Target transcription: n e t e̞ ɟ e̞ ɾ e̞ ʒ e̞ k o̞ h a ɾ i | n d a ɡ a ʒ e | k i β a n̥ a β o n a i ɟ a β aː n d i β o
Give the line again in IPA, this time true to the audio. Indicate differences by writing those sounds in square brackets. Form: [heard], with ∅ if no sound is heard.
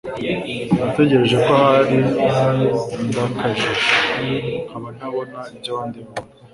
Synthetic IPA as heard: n [a] t e̞ ɟ e̞ ɾ e̞ ʒ e̞ k o̞ h a ɾ i | n d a [k] a ʒ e | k [a] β a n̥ a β o n a i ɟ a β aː n d i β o